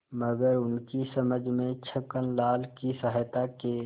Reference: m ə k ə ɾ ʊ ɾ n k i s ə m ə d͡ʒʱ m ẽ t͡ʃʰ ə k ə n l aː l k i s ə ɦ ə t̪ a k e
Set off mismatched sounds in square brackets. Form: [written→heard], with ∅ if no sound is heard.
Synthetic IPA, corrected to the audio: m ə [k→ɡ] ə ɾ ʊ [ɾ→∅] n k i s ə m ə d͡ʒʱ m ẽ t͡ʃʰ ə k ə n l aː l k i s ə ɦ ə t̪ a k e